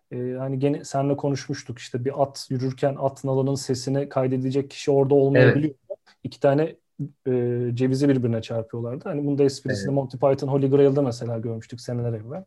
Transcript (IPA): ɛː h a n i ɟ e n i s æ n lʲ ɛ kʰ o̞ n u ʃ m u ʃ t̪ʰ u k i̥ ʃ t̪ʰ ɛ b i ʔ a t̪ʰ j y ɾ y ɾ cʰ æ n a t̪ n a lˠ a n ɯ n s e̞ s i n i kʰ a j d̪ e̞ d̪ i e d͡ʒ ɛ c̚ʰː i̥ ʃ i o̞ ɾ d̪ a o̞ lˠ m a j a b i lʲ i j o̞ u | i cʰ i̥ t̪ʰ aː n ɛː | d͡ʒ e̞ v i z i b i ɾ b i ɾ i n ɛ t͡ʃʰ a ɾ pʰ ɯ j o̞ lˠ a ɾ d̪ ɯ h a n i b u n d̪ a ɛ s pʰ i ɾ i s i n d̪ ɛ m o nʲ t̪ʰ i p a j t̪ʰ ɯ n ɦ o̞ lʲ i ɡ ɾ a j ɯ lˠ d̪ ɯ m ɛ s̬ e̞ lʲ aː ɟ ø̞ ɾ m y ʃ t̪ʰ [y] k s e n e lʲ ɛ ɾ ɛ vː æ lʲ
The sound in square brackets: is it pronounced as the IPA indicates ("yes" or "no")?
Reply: yes